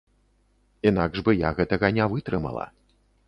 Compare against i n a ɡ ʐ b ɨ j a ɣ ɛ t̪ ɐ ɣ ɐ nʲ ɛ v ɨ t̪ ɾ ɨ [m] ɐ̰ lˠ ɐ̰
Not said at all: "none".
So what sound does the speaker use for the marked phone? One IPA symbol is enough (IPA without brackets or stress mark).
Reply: m